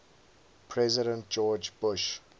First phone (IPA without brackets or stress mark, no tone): pʰ